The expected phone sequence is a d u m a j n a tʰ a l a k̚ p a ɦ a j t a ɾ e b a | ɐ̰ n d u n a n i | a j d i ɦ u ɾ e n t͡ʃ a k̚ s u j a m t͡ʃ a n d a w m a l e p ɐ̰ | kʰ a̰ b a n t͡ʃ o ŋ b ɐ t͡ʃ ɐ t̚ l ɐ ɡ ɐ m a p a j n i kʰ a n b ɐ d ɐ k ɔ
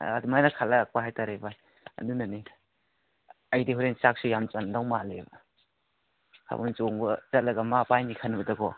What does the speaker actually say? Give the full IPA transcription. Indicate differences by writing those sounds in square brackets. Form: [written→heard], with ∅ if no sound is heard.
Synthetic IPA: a d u m a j n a [tʰ→kʰ] a l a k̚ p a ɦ a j t a ɾ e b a | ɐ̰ n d u n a n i | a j d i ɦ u ɾ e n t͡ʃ a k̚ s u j a m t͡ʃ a n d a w m a l e [p→b] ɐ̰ | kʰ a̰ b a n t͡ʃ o ŋ b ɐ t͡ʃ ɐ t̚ l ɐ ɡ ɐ m a p a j n i kʰ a n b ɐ d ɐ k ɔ